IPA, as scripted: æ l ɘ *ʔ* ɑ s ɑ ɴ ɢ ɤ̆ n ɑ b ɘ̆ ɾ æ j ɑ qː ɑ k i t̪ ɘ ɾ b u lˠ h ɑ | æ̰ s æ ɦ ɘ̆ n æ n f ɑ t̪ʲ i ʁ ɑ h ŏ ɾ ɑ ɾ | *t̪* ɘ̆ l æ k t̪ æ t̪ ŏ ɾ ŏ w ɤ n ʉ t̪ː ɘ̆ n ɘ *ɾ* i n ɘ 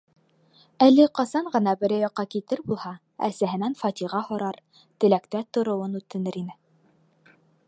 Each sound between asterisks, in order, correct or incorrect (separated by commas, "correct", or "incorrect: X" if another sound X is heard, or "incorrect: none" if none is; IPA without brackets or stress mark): incorrect: q, correct, correct